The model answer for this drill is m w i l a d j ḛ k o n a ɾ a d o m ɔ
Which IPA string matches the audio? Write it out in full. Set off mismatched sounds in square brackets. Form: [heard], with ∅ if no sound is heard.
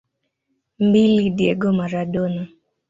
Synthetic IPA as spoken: m [b] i l [i] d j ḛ [ɡ] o [m] a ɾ a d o [n] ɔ

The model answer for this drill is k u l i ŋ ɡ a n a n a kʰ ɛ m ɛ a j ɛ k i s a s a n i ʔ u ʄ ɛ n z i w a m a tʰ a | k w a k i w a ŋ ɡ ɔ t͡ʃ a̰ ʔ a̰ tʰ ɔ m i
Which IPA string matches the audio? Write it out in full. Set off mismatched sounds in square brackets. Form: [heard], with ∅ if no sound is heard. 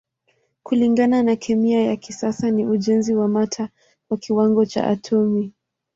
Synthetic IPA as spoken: k u l i ŋ ɡ a n a n a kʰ ɛ m [i] a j [a] k i s a s a n i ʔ u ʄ ɛ n z i w a m a tʰ a | k w a k i w a ŋ ɡ ɔ t͡ʃ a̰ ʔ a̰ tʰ ɔ m i

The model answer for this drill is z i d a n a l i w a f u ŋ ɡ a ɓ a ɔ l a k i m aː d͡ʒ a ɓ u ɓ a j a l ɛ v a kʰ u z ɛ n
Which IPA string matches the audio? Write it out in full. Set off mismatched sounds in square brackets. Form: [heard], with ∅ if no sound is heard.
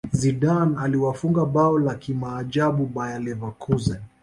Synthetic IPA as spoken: z i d a n a l i w a f u ŋ ɡ a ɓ a ɔ l a k i m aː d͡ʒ a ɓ u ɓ a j a l ɛ v a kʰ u z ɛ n

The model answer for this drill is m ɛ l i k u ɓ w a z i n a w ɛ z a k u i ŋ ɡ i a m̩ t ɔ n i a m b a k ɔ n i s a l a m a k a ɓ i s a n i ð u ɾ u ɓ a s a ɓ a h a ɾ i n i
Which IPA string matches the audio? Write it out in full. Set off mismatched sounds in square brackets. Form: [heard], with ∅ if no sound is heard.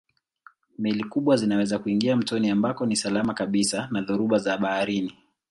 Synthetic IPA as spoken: m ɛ l i k u ɓ w a z i n a w ɛ z a k u i ŋ ɡ i a m̩ t ɔ n i a m b a k ɔ n i s a l a m a k a ɓ i s a n [a] ð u ɾ u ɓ a [z] a ɓ a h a ɾ i n i

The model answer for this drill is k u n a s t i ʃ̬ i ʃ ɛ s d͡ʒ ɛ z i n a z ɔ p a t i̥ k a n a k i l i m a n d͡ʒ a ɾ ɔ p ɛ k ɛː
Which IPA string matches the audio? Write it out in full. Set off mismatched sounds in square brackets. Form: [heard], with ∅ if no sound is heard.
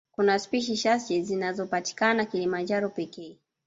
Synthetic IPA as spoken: k u n a s [p] i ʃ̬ i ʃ [a] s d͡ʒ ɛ z i n a z ɔ p a t i̥ k a n a k i l i m a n d͡ʒ a ɾ ɔ p ɛ k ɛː

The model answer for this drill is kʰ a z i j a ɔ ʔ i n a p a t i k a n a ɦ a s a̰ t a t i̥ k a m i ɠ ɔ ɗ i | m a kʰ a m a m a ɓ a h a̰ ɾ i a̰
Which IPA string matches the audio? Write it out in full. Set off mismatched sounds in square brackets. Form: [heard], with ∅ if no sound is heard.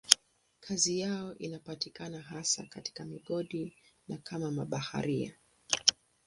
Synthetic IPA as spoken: kʰ a z i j a ɔ ʔ i n a p a t i k a n a ɦ a s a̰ [k] a t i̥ k a m i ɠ ɔ ɗ i | [n] a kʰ a m a m a ɓ a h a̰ ɾ i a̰

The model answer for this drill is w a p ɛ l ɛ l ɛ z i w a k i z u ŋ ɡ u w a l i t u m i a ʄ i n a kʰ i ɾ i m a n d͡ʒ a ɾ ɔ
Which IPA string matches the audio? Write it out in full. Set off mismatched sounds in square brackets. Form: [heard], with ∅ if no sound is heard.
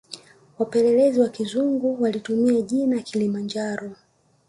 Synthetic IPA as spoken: w a p ɛ l ɛ l ɛ z i w a k i z u ŋ ɡ u w a l i t u m i a ʄ i n a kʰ i [l] i m a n d͡ʒ a ɾ ɔ

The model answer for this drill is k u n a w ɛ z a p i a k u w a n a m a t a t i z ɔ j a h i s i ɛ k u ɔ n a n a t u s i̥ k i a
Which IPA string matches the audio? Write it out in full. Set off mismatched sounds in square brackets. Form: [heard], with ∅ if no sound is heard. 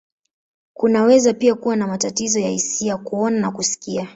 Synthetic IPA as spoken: k u n a w ɛ z a p i a k u w a n a m a t a t i z ɔ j a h i s i [a] k u ɔ n a n a [k] u s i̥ k i a

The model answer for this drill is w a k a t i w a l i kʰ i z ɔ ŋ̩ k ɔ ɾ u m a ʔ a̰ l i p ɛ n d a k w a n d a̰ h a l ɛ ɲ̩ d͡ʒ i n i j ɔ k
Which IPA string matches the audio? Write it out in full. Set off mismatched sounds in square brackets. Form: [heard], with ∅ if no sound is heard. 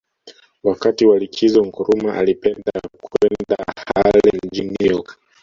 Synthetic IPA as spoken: w a k a t i w a l i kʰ i z ɔ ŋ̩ k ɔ ɾ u m a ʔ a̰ l i p ɛ n d a k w [ɛ] n d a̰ h a l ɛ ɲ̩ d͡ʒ i n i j ɔ k

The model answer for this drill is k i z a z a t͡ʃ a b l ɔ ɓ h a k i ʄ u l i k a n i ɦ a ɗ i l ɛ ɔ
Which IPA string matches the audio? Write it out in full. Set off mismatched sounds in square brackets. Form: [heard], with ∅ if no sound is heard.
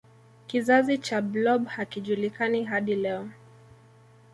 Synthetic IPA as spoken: k i z a z [i] t͡ʃ a b l ɔ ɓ h a k i ʄ u l i k a n i ɦ a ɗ i l ɛ ɔ

